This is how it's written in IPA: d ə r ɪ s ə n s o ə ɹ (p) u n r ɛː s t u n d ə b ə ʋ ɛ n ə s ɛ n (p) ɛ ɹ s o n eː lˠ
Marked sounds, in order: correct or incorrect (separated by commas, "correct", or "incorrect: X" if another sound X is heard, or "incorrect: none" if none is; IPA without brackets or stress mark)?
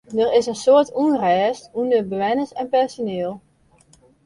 incorrect: t, correct